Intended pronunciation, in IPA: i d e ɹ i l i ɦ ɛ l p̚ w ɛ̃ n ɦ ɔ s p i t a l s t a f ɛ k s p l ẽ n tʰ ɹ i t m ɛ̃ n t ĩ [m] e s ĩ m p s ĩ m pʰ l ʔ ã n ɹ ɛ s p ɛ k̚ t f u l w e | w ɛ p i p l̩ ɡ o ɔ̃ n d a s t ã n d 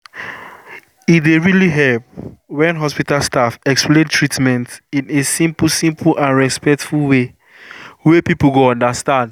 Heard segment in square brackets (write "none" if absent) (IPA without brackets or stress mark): n